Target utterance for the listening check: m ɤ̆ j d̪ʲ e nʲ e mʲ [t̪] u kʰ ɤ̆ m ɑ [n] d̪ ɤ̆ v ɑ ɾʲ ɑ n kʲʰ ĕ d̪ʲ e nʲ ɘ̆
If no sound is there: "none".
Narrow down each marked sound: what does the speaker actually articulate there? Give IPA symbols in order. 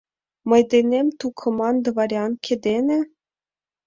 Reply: t̪, n

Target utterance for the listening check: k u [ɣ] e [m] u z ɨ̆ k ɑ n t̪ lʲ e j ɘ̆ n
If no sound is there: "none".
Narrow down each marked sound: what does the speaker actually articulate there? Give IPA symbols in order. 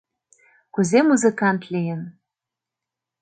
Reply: z, m

